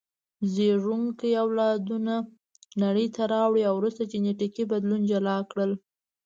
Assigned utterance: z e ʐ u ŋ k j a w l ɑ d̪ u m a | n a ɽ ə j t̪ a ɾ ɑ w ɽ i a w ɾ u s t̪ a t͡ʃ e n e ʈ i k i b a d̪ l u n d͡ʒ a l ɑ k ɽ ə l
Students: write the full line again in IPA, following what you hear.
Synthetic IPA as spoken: z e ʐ u ŋ k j a w l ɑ d̪ u n a | n a ɽ ə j t̪ a ɾ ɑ w ɽ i a w ɾ u s t̪ a t͡ʃ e n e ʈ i k i b a d̪ l u n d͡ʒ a l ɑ k ɽ ə l